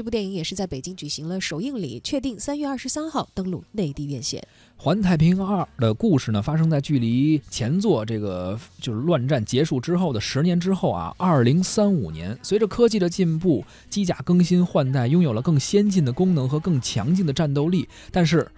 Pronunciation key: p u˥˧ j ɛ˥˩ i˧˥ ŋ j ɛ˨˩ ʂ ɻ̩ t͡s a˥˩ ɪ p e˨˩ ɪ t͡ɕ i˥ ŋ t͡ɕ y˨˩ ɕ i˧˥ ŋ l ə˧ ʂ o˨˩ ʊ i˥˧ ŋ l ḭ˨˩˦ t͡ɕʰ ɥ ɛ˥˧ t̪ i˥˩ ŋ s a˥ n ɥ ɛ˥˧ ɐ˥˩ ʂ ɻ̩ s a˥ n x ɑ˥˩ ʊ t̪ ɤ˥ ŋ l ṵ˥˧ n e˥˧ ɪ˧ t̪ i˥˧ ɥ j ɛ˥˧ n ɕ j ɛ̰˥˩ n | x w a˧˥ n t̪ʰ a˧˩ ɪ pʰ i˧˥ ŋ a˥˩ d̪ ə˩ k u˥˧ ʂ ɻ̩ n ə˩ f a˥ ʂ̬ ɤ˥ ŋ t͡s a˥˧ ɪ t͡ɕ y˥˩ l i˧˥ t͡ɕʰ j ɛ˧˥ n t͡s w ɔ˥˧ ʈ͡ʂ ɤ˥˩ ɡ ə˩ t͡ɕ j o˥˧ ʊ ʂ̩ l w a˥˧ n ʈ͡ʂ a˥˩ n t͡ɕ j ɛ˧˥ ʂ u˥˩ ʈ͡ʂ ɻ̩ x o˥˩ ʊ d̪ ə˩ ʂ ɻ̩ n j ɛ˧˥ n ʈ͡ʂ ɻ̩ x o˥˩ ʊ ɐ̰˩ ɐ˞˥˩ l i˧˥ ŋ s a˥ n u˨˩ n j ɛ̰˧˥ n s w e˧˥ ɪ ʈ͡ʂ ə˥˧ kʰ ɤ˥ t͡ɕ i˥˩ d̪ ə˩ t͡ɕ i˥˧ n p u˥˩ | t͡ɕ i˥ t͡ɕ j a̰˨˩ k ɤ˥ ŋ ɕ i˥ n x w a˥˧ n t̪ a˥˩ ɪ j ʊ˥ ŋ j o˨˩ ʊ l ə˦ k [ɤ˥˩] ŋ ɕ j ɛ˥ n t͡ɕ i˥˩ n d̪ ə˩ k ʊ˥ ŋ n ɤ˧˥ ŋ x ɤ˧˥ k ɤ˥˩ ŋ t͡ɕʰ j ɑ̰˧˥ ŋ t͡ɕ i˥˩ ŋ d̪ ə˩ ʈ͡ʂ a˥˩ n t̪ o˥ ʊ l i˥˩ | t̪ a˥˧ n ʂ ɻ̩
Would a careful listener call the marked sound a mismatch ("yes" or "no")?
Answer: no